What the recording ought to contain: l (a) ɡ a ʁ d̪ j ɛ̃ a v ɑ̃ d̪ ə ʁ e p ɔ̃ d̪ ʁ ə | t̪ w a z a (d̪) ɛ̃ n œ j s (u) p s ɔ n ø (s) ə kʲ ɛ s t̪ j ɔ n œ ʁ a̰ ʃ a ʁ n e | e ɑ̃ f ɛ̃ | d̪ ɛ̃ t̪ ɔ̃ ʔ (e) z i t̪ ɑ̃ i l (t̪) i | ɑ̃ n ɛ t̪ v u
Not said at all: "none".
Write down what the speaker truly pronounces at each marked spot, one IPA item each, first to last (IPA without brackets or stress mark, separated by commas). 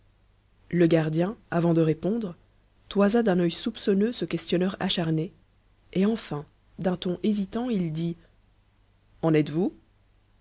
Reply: ə, d̪, u, s, e, d̪